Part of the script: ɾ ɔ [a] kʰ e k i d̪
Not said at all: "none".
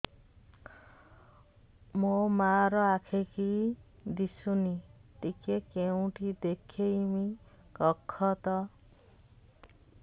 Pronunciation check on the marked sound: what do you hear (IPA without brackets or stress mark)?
a